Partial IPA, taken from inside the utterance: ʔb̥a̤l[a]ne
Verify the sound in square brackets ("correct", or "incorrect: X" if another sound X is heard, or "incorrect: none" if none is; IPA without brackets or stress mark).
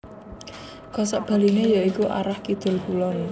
incorrect: i